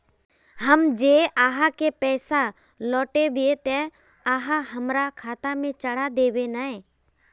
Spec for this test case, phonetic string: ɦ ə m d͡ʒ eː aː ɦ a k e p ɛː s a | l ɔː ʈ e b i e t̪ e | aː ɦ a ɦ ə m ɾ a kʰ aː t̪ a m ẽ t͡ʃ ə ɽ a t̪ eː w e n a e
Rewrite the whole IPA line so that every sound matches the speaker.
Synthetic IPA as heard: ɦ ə m d͡ʒ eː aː ɦ a k e p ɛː s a | l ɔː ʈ e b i e t̪ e | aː ɦ a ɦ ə m ɾ a kʰ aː t̪ a m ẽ t͡ʃ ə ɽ a d̪ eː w e n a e